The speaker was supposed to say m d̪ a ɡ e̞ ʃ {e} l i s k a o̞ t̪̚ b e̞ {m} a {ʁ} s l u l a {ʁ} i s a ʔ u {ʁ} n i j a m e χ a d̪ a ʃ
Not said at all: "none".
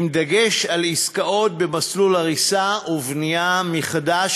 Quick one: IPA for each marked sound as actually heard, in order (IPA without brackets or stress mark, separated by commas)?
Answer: a, m, none, ʁ, v